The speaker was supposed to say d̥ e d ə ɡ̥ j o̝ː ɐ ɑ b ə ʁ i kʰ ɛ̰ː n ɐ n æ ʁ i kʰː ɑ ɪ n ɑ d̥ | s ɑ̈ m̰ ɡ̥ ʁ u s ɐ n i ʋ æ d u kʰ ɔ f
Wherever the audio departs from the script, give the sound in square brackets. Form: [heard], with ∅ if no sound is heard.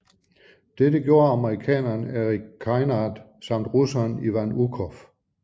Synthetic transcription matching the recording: d̥ e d ə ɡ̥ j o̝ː ɐ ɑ [m] ə ʁ i kʰ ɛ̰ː n ɐ n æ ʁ i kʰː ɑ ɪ n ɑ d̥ | s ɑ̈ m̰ [d̥] ʁ u s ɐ n i ʋ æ [n] u kʰ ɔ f